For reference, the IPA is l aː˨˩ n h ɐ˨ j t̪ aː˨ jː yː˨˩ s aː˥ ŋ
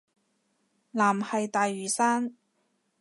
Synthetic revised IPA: l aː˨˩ m h ɐ˨ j t̪ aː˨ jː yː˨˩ s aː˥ n

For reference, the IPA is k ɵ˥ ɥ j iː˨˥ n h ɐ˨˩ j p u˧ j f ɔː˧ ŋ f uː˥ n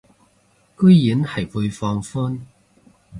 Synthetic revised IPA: k ɵ˥ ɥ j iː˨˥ n h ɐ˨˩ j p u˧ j f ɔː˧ ŋ f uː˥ n

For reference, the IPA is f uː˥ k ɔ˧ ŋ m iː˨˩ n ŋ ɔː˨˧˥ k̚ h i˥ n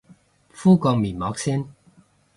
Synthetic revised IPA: f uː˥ k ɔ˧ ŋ m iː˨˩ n m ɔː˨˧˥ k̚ s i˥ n

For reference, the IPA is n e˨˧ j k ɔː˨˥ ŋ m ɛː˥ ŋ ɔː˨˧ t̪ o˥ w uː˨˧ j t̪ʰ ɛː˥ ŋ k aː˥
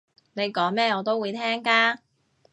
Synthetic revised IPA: n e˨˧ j k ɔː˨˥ ŋ m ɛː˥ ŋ ɔː˨˧ t̪ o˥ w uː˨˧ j t̪ʰ ɛː˥ ŋ k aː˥

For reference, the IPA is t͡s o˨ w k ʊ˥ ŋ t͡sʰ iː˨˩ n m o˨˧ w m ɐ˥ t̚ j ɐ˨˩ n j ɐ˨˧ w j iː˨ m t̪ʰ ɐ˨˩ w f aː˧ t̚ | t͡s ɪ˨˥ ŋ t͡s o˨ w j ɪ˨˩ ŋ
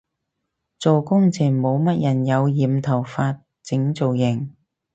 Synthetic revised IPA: t͡s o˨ w k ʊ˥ ŋ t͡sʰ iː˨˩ n m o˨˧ w m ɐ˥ t̚ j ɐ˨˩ n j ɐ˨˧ w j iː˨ m t̪ʰ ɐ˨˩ w f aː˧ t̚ | t͡s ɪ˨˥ ŋ t͡s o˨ w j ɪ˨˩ ŋ

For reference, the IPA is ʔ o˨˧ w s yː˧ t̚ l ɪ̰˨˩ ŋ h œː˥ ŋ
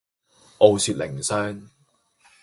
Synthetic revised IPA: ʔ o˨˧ w s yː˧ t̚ l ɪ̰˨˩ ŋ s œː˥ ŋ

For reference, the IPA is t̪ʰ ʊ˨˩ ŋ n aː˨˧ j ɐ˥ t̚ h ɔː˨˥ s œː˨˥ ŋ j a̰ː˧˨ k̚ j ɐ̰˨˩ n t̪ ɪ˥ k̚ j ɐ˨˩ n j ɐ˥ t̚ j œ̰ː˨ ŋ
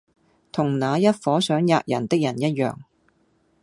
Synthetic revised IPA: t̪ʰ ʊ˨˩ ŋ n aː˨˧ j ɐ˥ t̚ f ɔː˨˥ s œː˨˥ ŋ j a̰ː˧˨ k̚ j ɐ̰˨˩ n t̪ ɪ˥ k̚ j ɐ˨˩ n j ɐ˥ t̚ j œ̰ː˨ ŋ

